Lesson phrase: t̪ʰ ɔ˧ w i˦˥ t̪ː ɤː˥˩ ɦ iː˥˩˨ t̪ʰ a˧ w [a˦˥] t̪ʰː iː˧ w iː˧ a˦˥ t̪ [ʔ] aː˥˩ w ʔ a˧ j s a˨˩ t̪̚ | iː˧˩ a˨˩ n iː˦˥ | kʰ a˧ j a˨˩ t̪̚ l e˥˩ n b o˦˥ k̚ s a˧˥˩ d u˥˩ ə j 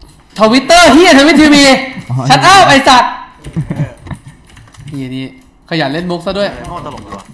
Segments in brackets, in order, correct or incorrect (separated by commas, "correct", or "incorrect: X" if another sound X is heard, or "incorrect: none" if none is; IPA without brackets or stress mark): incorrect: i˦˥, correct